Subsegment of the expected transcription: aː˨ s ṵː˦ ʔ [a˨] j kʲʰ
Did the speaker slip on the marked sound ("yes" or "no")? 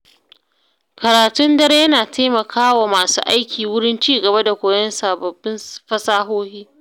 yes